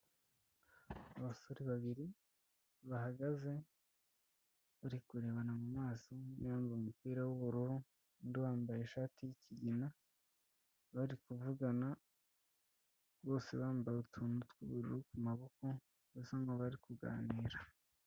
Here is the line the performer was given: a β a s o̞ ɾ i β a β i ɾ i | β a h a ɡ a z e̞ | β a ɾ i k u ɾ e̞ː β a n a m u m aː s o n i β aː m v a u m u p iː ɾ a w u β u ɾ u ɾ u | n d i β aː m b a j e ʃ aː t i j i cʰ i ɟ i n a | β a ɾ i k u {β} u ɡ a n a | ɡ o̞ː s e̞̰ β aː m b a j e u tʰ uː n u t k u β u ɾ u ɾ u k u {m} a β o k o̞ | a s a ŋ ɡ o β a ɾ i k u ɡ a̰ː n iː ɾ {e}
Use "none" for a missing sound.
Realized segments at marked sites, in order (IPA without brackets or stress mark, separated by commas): v, m, a